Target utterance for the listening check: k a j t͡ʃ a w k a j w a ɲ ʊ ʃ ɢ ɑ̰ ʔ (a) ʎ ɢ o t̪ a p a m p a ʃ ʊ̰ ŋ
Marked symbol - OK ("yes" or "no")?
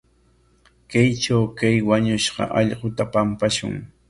no